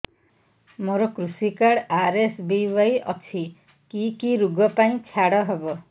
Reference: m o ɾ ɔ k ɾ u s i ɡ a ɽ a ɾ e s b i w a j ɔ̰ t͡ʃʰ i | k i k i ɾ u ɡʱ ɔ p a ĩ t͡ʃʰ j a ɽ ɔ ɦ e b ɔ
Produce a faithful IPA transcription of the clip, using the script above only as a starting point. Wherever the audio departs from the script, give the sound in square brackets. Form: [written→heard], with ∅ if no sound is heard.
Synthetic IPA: m o ɾ ɔ k ɾ u s i [ɡ→k] a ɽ a ɾ e s b i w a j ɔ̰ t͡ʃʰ i | k i k i ɾ u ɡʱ ɔ p a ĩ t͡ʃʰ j a ɽ ɔ ɦ e b ɔ